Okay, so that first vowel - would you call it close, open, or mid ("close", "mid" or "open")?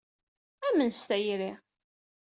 open